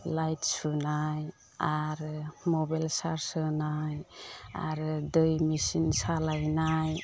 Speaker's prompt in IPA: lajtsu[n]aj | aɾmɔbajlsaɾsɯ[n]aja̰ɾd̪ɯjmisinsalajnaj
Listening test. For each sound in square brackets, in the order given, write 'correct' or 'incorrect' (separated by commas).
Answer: correct, correct